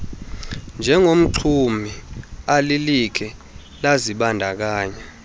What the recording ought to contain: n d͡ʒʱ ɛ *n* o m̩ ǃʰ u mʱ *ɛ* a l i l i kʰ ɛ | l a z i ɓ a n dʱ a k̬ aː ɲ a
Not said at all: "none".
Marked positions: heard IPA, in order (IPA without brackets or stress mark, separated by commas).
ŋ, i